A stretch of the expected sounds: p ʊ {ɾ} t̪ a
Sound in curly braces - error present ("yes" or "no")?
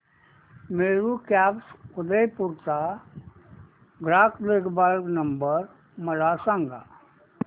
no